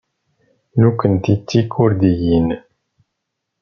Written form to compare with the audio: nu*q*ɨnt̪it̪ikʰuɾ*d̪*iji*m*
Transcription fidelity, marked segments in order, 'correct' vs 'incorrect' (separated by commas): incorrect, correct, incorrect